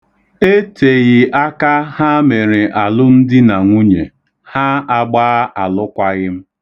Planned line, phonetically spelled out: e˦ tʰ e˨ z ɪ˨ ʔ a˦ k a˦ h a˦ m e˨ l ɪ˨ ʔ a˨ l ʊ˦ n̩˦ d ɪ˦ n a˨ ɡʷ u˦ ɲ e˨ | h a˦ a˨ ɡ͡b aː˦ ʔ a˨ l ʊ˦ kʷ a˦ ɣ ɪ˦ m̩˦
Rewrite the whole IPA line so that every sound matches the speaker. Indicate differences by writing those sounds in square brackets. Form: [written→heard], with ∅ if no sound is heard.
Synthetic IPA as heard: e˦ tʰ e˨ [z→ɣ] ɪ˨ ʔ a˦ k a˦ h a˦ m e˨ [l→ɾ] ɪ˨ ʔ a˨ l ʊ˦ n̩˦ d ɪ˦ n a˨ [ɡʷ→ŋʷ] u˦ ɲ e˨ | h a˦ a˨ ɡ͡b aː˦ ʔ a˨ l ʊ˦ kʷ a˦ ɣ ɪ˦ m̩˦